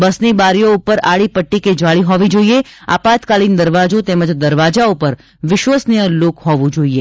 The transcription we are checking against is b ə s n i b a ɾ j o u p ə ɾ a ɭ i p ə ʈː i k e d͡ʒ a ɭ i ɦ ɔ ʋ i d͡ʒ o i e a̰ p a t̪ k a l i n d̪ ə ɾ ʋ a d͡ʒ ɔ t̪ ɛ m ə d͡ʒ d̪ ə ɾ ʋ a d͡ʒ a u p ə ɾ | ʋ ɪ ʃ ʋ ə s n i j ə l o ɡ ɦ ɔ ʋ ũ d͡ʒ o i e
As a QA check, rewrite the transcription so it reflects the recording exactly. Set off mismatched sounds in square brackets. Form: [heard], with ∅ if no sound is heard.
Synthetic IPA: b ə s n i b a ɾ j o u p ə ɾ a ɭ i p ə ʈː i k e d͡ʒ a ɭ i ɦ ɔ ʋ i d͡ʒ o i e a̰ p a t̪ k a l i n d̪ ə ɾ ʋ a d͡ʒ [o] t̪ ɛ m ə d͡ʒ d̪ ə ɾ ʋ a d͡ʒ a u p ə ɾ | ʋ ɪ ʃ ʋ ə s n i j ə l o [k] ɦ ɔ ʋ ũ d͡ʒ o i e